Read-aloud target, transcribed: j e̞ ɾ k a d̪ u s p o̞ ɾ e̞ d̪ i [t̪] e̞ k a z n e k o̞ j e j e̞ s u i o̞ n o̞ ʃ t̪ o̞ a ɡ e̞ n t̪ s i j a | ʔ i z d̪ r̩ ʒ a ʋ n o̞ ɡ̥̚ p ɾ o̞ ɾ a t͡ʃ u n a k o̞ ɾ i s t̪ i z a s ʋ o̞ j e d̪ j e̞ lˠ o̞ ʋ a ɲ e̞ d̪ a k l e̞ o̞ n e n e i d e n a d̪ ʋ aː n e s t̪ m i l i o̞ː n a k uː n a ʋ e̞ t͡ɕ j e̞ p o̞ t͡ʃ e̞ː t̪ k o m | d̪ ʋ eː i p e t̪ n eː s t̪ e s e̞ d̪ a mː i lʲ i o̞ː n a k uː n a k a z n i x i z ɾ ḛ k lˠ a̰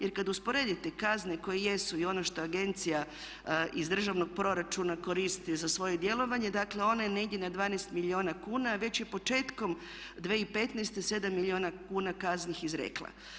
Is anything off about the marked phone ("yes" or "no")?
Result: no